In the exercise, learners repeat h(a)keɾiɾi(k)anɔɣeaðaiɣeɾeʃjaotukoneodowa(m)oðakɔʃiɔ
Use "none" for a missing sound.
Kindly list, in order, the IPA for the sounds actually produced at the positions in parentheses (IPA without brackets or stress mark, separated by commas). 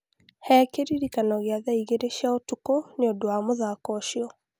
ɛ, k, m